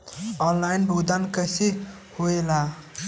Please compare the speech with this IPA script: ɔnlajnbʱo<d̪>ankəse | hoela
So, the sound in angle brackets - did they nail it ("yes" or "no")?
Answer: yes